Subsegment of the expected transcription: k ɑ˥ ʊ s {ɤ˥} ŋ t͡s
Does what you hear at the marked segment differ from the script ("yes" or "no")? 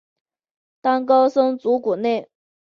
no